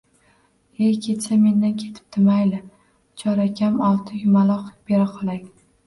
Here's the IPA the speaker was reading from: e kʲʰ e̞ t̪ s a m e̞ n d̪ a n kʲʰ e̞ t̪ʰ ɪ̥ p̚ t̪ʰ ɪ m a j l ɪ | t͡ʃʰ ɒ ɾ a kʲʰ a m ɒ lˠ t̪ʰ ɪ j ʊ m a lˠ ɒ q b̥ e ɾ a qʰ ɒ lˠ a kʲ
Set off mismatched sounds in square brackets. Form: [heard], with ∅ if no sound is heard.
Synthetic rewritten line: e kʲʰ e̞ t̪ s a m e̞ n d̪ a n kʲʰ e̞ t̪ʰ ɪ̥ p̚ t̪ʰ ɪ m a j l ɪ | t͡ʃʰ ɒ ɾ a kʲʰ a m ɒ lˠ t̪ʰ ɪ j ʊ m a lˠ ɒ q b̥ e ɾ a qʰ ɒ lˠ a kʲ